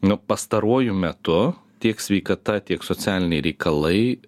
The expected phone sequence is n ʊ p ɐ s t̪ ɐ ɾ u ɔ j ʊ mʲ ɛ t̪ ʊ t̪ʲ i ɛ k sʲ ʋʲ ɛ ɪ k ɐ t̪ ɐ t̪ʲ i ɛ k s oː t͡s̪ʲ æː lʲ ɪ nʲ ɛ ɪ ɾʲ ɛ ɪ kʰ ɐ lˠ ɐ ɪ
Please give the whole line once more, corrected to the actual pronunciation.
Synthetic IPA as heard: n ʊ p ɐ s t̪ ɐ ɾ u ɔ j ʊ mʲ ɛ t̪ ʊ t̪ʲ i ɛ k sʲ ʋʲ ɛ ɪ k ɐ t̪ ɐ t̪ʲ i ɛ k s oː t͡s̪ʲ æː lʲ ɪ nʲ ɛ ɪ ɾʲ ɛ ɪ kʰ ɐ lˠ ɐ ɪ